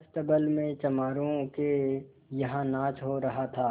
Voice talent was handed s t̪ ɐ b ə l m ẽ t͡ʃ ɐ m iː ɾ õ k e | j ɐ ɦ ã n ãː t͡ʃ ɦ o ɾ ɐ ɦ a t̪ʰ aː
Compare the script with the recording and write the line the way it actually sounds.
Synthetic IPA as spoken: s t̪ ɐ b ə l m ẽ t͡ʃ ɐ m aː ɾ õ k e | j ɐ ɦ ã n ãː t͡ʃ ɦ o ɾ ɐ ɦ a t̪ʰ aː